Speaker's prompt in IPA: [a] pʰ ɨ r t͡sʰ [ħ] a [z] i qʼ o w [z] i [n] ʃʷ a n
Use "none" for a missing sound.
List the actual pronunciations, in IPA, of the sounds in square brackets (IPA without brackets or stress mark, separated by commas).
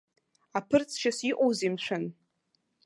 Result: a, ʃ, s, z, m